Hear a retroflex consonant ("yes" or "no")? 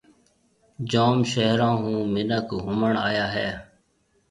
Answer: yes